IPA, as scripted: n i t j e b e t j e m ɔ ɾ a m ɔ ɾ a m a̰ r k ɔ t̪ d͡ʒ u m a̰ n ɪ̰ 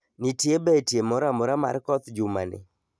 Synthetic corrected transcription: n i t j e b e t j e m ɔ ɾ a m ɔ ɾ a m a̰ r k ɔ t̪ d͡ʒ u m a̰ n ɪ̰